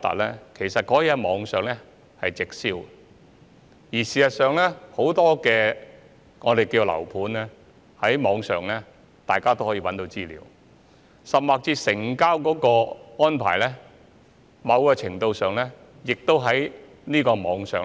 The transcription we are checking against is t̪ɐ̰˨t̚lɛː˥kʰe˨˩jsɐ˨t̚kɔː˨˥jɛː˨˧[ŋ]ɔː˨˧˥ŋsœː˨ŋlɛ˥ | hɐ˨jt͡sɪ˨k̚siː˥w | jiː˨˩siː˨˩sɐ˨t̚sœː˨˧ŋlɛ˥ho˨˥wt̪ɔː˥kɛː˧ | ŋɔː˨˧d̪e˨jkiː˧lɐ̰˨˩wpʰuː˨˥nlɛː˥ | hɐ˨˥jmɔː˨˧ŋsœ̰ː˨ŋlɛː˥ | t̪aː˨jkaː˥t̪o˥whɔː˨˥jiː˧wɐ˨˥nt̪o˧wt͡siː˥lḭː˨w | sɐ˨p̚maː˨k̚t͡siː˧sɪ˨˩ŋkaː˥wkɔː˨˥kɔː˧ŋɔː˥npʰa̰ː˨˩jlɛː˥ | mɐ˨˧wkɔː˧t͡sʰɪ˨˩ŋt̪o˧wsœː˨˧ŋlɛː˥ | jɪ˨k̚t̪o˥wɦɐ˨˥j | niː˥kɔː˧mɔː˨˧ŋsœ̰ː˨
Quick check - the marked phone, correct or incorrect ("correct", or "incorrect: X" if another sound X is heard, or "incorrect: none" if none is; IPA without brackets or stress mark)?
incorrect: m